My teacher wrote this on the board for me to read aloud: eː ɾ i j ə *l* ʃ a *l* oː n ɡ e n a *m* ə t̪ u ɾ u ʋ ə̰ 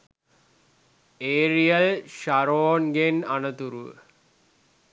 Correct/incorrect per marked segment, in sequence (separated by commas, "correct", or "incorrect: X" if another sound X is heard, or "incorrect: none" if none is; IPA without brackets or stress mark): correct, incorrect: ɾ, incorrect: n